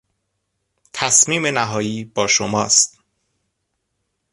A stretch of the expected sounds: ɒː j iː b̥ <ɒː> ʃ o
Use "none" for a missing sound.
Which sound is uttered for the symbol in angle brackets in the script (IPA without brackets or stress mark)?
ɒː